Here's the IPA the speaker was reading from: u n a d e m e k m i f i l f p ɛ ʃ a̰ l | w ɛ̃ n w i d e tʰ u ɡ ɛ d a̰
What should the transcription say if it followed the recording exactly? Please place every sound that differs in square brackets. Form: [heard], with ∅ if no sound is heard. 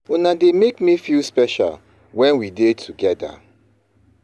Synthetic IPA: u n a d e m e k m i f i l [s] p ɛ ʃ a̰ l | w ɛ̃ n w i d e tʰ u ɡ ɛ d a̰